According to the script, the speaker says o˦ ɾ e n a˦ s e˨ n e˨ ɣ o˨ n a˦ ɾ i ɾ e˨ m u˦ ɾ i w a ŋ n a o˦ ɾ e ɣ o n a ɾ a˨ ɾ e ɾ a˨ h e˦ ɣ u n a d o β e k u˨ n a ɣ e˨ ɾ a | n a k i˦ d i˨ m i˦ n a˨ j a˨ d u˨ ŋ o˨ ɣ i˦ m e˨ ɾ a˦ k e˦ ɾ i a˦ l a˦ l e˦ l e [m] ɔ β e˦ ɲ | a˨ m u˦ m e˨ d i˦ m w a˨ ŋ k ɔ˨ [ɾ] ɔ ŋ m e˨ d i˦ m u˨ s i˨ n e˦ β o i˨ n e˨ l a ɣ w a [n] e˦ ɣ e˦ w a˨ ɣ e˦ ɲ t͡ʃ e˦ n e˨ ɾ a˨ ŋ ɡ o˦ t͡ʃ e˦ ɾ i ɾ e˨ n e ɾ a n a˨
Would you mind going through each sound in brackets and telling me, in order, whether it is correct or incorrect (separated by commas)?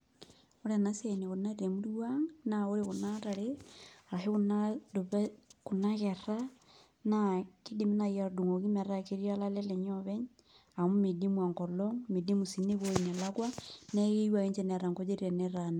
incorrect, incorrect, correct